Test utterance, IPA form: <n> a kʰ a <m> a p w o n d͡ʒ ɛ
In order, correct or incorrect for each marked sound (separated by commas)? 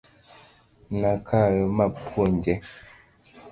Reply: correct, correct